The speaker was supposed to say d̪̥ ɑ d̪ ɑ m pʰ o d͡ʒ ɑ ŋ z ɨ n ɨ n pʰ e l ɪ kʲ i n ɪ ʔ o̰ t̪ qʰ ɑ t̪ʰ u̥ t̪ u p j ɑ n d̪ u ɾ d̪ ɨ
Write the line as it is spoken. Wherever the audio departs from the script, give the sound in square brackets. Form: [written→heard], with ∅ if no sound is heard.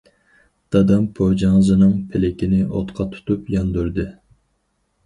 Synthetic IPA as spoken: d̪̥ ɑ d̪ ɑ m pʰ o d͡ʒ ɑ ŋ z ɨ n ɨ [n→ŋ] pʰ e l ɪ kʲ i n ɪ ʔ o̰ t̪ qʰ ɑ t̪ʰ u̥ t̪ u p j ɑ n d̪ u ɾ d̪ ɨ